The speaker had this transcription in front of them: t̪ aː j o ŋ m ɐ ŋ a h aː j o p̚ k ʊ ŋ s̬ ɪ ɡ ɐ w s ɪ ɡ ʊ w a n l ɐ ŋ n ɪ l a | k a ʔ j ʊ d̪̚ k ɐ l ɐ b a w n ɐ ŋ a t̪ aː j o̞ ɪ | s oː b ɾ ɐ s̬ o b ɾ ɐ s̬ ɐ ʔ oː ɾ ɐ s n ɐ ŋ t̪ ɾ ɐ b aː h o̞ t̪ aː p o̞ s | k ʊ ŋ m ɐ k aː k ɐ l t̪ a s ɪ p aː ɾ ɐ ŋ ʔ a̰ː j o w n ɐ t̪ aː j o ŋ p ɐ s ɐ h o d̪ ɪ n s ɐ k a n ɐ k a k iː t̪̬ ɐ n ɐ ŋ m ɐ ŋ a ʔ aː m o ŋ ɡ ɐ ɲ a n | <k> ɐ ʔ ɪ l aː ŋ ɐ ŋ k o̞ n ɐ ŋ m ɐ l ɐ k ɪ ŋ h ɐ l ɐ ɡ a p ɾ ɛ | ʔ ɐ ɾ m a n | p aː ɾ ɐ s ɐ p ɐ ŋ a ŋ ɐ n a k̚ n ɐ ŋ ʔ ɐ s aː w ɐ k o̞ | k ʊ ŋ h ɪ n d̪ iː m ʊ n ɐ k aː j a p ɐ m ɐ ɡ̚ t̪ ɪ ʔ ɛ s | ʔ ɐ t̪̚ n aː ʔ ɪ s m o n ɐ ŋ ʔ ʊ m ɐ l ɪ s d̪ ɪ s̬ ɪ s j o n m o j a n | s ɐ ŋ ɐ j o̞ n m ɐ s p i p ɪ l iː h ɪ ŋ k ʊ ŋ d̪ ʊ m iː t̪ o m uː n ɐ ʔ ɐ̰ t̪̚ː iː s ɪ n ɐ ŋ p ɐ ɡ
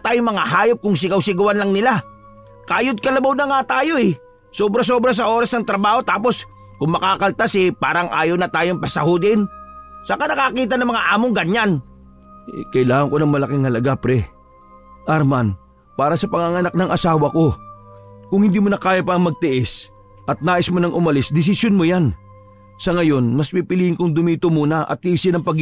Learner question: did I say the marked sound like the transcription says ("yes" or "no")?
yes